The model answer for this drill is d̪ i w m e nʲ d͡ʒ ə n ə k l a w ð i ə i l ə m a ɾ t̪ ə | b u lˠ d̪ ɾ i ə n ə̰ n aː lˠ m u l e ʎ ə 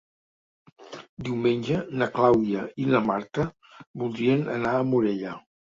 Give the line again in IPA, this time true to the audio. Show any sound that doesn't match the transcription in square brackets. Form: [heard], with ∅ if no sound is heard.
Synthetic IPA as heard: d̪ i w m e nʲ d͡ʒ ə n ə k l a w ð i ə i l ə m a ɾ t̪ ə | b u lˠ d̪ ɾ i ə n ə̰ n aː [∅] m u [ɾ] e ʎ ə